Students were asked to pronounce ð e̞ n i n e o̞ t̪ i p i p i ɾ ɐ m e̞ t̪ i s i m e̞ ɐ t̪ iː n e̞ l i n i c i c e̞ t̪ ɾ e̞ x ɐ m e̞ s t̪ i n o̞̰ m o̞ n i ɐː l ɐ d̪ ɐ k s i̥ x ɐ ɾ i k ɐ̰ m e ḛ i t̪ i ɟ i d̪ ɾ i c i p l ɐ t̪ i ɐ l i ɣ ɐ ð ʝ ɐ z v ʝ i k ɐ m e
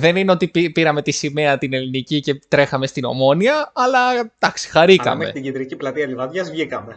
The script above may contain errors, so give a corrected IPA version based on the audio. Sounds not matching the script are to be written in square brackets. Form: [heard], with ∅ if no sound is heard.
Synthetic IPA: ð e̞ n i n e o̞ t̪ i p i p i ɾ ɐ m e̞ t̪ i s i m e̞ ɐ t̪ [i] n e̞ l i n i c i c e̞ t̪ ɾ e̞ x ɐ m e̞ s t̪ i n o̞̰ m o̞ n i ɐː l ɐ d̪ ɐ k s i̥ x ɐ ɾ i k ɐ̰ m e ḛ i t̪ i ɟ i d̪ ɾ i c i p l ɐ t̪ i ɐ l i [v] ɐ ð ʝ ɐ z v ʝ i k ɐ m e